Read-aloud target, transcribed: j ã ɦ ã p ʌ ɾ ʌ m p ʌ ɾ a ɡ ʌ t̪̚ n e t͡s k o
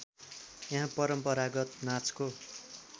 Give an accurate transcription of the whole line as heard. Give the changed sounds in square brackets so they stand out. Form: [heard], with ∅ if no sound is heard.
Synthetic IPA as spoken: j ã ɦ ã p ʌ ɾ ʌ m p ʌ ɾ a ɡ ʌ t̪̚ n [a] t͡s k o